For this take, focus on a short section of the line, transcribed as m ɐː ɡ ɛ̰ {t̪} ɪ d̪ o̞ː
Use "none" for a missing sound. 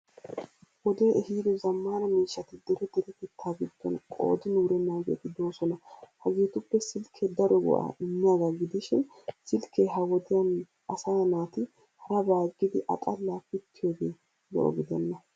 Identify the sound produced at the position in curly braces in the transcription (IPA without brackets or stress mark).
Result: t̪